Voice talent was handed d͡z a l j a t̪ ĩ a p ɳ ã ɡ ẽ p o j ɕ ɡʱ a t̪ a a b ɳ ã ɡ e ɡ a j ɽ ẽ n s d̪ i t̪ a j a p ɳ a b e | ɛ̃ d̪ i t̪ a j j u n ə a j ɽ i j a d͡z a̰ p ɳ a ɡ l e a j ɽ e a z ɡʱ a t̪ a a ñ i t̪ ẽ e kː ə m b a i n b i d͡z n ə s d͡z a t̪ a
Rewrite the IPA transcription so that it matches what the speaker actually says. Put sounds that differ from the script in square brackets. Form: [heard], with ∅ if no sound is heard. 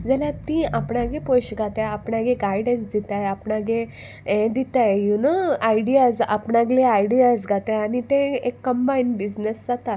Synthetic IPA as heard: d͡z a l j a t̪ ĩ a p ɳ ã ɡ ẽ p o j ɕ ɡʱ a t̪ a a [p] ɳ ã ɡ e ɡ a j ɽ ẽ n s d̪ i t̪ a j a p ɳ a [ɡ] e | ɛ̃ d̪ i t̪ a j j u n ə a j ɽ i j a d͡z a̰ p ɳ a ɡ l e a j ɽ [i] a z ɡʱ a t̪ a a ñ i t̪ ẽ e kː ə m b a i n b i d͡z n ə s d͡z a t̪ a